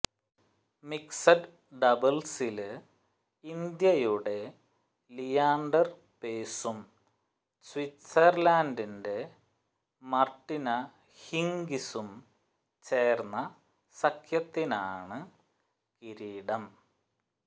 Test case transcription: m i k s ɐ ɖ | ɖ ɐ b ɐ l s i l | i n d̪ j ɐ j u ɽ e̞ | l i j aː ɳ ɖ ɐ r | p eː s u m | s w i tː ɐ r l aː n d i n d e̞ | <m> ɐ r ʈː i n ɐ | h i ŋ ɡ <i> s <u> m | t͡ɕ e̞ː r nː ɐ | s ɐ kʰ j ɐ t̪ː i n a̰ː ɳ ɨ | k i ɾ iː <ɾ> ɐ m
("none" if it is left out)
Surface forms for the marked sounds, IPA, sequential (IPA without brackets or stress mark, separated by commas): m, i, u, ɽ